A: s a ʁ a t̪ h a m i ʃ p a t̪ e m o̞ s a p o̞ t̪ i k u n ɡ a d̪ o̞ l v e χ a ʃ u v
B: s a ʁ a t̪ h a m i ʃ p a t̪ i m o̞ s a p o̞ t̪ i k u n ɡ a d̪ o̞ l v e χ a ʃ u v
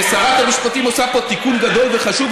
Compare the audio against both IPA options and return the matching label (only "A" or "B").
B